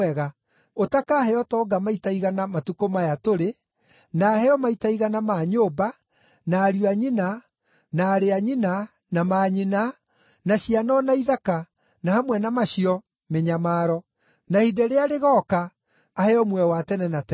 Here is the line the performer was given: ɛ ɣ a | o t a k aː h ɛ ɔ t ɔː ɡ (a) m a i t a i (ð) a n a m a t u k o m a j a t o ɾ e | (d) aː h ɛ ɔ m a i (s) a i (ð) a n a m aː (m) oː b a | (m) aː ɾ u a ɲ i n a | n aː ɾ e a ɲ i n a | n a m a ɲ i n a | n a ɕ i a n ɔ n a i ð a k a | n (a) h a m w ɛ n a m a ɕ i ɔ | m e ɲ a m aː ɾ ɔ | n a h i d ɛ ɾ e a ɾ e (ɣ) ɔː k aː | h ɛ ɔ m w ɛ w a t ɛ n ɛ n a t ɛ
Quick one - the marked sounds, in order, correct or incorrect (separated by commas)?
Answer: correct, incorrect, incorrect, incorrect, incorrect, incorrect, incorrect, correct, correct